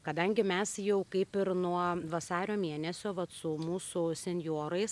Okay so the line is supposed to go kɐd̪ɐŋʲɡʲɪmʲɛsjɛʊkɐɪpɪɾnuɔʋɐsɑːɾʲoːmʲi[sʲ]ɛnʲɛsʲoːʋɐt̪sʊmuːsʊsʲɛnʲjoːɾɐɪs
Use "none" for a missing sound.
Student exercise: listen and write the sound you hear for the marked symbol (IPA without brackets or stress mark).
none